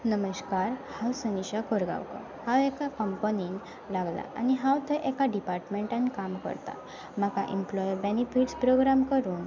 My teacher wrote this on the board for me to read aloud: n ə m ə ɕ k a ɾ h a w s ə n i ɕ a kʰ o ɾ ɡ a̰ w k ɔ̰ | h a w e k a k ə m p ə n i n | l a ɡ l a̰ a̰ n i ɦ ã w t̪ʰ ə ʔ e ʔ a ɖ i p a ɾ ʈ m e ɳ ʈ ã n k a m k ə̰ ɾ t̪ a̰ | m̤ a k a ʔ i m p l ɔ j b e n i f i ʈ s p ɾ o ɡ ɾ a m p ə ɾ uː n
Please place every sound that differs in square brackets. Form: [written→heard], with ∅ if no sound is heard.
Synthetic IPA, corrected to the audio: n ə m ə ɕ k a ɾ h a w s ə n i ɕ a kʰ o ɾ ɡ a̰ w k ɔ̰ | h a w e k a k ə m p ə n i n | l a ɡ l a̰ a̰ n i ɦ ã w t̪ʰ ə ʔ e [ʔ→k] a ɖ i p a ɾ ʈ m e ɳ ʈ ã n k a m k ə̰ ɾ t̪ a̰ | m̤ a k a ʔ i m p l ɔ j b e n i f i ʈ s p ɾ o ɡ ɾ a m [p→k] ə ɾ uː n

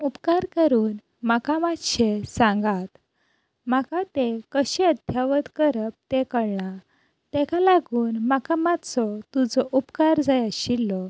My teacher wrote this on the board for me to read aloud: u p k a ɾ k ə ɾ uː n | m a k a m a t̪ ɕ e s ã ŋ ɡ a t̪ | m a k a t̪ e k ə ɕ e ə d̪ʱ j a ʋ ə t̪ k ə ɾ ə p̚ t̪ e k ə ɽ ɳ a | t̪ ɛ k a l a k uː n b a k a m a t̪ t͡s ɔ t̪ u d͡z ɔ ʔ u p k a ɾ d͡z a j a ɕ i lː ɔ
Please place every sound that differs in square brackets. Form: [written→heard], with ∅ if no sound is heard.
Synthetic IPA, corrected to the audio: u p k a ɾ k ə ɾ uː n | m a k a m a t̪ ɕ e s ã ŋ ɡ a t̪ | m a k a t̪ e k ə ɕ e ə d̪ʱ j a ʋ ə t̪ k ə ɾ ə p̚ t̪ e k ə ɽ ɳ a | t̪ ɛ k a l a [k→ɡ] uː n [b→m] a k a m a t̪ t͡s ɔ t̪ u d͡z ɔ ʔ u p k a ɾ d͡z a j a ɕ i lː ɔ

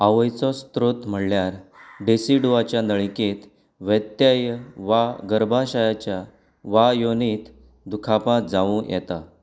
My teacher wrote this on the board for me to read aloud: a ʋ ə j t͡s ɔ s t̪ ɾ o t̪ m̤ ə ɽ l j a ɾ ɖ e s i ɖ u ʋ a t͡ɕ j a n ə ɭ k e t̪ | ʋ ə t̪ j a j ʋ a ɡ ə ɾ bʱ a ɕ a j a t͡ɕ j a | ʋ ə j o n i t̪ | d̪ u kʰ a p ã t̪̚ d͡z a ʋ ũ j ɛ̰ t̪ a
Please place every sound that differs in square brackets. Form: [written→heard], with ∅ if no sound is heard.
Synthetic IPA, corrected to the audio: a ʋ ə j t͡s ɔ s t̪ ɾ o t̪ m̤ ə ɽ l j a ɾ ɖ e s i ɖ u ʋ a t͡ɕ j a n ə ɭ k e t̪ | ʋ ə t̪ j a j ʋ a ɡ ə ɾ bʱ a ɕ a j a t͡ɕ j a | ʋ [ə→a] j o n i t̪ | d̪ u kʰ a p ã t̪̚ d͡z a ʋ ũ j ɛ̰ t̪ a

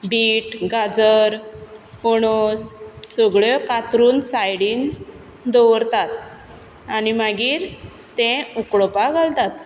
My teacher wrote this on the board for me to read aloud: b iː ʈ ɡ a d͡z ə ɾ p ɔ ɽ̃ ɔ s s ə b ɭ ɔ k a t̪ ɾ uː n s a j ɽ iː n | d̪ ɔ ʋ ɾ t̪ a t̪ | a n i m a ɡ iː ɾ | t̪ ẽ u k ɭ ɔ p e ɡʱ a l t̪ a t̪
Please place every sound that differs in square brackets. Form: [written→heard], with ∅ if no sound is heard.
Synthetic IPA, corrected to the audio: b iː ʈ ɡ a d͡z ə ɾ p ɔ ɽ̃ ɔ s s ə [b→ɡ] ɭ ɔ k a t̪ ɾ uː n s a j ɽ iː n | d̪ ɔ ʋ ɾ t̪ a t̪ | a n i m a ɡ iː ɾ | t̪ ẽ u k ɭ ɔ p [e→a] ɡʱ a l t̪ a t̪

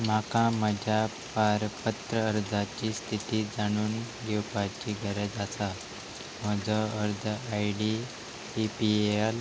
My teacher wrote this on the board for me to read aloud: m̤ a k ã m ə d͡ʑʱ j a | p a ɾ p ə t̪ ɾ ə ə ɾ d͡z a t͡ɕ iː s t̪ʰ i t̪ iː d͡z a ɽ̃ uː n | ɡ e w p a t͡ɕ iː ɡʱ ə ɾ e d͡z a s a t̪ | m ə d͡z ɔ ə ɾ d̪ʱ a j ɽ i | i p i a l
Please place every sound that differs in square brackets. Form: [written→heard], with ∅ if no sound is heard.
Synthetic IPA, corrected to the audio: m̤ a k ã m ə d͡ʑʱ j a | p a ɾ p ə t̪ ɾ ə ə ɾ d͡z a t͡ɕ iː s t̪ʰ i t̪ iː d͡z a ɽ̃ uː n | ɡ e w p a t͡ɕ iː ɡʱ ə ɾ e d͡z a s a [t̪→∅] | m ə d͡z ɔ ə ɾ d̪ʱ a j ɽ i | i p i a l

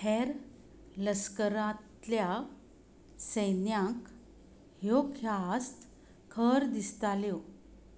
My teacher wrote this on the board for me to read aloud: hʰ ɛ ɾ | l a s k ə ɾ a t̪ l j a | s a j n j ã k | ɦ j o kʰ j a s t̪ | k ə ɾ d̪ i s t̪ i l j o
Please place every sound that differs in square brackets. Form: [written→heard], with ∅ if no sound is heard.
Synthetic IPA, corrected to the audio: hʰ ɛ ɾ | l [a→ə] s k ə ɾ a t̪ l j a | s [a→ə] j n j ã k | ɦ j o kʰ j a s t̪ | [k→kʰ] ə ɾ d̪ i s t̪ [i→a] l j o

